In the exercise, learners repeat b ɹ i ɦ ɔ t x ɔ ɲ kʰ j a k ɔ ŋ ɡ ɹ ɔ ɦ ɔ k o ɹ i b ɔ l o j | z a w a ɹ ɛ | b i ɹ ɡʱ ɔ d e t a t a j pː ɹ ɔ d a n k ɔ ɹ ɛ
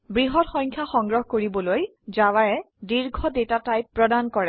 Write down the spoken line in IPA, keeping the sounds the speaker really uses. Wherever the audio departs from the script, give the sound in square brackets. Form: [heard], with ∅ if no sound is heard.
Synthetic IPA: b ɹ i ɦ ɔ t x ɔ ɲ kʰ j a [x] ɔ ŋ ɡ ɹ ɔ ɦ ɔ k o ɹ i b ɔ l o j | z a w a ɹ ɛ | [d] i ɹ ɡʱ ɔ d e t a t a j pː ɹ ɔ d a n k ɔ ɹ ɛ